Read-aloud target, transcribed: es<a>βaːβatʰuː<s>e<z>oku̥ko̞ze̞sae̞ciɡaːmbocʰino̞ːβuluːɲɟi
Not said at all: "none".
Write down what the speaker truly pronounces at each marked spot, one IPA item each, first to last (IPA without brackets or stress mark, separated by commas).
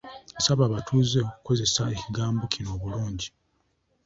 a, z, none